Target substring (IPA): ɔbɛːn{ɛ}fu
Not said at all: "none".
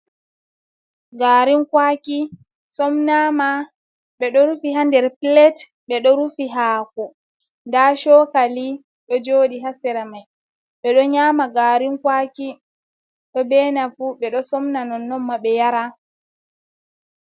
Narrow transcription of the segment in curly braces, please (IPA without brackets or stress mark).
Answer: a